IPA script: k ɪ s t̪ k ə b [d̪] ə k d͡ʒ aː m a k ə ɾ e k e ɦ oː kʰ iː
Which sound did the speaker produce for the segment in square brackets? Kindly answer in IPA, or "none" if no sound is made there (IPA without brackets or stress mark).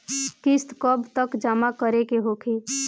t̪